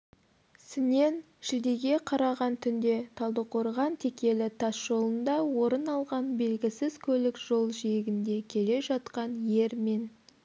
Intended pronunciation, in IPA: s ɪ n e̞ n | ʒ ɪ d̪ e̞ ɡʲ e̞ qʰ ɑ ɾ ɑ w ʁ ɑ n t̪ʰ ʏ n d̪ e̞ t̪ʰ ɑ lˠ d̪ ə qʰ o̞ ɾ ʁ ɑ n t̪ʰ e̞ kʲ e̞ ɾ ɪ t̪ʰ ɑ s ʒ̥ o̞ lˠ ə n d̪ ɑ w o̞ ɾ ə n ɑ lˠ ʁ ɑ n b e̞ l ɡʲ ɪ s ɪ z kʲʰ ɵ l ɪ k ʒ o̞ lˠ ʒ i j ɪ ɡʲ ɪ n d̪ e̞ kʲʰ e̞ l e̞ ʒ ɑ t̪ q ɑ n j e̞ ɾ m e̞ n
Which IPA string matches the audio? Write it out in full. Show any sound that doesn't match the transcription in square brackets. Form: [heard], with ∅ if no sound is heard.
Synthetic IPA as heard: s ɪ n e̞ n | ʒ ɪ d̪ e̞ ɡʲ e̞ qʰ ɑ ɾ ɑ [∅] ʁ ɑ n t̪ʰ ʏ n d̪ e̞ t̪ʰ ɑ lˠ d̪ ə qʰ o̞ ɾ ʁ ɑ n t̪ʰ e̞ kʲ e̞ [l] ɪ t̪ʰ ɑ s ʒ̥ o̞ lˠ ə n d̪ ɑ w o̞ ɾ ə n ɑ lˠ ʁ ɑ n b e̞ l ɡʲ ɪ s ɪ z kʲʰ ɵ l ɪ k ʒ o̞ lˠ ʒ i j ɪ ɡʲ ɪ n d̪ e̞ kʲʰ e̞ l e̞ ʒ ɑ t̪ q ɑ n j e̞ ɾ m e̞ n